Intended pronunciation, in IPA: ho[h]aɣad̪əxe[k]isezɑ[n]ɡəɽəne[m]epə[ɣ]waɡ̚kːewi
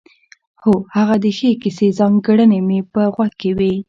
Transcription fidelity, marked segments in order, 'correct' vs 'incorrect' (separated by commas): correct, correct, incorrect, correct, correct